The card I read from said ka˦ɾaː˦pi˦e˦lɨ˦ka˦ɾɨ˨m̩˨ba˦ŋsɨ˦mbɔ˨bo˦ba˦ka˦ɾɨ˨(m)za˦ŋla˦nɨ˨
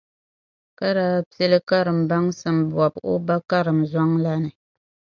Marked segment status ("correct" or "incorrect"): correct